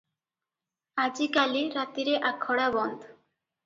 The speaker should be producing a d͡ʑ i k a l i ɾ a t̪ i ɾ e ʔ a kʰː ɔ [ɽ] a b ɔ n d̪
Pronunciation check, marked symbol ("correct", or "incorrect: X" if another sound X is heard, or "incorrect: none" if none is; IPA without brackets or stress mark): correct